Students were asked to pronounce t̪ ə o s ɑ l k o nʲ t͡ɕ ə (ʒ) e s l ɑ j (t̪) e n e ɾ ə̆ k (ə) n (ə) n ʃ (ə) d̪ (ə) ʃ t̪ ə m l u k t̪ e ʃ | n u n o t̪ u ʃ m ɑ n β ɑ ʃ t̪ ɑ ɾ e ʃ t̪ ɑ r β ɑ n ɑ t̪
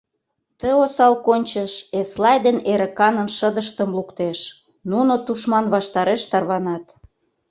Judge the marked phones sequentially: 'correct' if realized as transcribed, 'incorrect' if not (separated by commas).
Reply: incorrect, incorrect, incorrect, correct, correct, correct